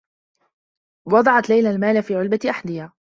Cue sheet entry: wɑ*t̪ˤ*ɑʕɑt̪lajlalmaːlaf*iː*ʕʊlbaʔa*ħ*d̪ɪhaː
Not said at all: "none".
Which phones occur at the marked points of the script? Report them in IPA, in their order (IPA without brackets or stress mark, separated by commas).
d̪ˤ, iː, ħ